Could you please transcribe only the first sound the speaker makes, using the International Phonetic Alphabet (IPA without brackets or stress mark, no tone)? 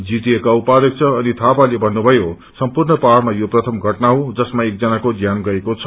d͡z